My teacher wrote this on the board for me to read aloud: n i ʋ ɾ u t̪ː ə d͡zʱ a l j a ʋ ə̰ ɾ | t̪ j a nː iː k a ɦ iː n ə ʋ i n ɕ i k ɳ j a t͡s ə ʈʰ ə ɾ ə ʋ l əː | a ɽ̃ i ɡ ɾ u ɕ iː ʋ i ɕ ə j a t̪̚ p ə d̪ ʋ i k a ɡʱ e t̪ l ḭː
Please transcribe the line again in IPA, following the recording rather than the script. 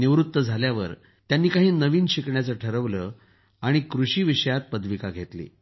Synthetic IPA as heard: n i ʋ ɾ u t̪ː ə d͡zʱ a l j a ʋ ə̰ ɾ | t̪ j a nː iː k a ɦ iː n ə ʋ iː n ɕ i k ɳ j a t͡s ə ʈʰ ə ɾ ə ʋ l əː | a ɽ̃ i k ɾ u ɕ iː ʋ i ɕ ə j a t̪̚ p ə d̪ ʋ i k a ɡʱ e t̪ l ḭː